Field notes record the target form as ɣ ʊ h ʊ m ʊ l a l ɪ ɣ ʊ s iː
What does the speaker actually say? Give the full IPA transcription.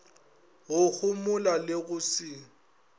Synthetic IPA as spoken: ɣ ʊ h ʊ m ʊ l a l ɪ ɣ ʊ s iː

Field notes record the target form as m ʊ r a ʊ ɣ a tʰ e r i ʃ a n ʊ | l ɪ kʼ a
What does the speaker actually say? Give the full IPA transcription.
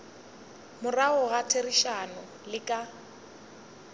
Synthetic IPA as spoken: m ʊ r a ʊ ɣ a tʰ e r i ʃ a n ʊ | l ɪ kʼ a

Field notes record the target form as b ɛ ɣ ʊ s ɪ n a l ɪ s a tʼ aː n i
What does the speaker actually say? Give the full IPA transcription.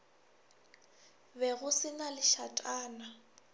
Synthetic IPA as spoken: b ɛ ɣ ʊ s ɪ n a l ɪ ʃ a tʼ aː n a

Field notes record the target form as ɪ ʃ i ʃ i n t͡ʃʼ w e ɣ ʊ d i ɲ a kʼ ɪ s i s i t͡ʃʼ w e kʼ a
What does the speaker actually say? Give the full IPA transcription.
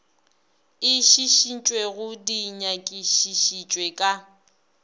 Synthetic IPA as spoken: ɪ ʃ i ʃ i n t͡ʃʼ w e ɣ ʊ d i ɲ a kʼ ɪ ʃ i ʃ i t͡ʃʼ w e kʼ a

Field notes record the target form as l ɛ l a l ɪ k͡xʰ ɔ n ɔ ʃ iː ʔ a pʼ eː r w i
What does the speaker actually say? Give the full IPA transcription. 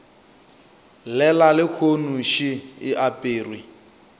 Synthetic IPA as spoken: l ɛ l a l ɪ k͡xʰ o n u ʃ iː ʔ a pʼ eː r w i

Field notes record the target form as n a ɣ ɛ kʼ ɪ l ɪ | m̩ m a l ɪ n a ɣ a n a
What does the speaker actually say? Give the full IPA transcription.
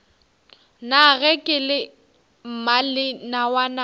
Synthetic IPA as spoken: n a ɣ ɛ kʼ ɪ l ɪ | m̩ m a l ɪ n a w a n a

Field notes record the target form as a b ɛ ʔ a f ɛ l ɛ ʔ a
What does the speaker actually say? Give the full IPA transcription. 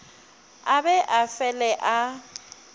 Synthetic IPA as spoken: a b ɛ ʔ a f ɛ l ɛ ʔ a

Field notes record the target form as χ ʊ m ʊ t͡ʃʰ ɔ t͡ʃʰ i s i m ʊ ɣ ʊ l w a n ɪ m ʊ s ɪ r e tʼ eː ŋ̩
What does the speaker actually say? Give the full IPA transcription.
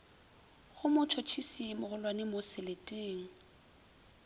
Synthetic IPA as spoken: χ ʊ m ʊ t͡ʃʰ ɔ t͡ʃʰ i s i m ʊ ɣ ʊ l w a n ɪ m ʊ s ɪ l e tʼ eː ŋ̩

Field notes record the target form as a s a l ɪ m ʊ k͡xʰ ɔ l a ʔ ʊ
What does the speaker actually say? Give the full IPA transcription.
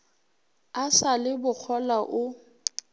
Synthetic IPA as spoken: a s a l ɪ b ʊ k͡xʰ ɔ l a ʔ ʊ

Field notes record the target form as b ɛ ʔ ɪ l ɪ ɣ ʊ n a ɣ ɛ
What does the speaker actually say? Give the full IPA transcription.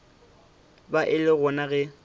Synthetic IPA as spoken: b a ʔ ɪ l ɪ ɣ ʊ n a ɣ ɛ

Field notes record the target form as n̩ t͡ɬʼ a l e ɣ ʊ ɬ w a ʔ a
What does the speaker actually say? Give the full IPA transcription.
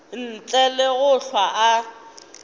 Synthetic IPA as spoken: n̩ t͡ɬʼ ɛ l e ɣ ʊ ɬ w a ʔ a

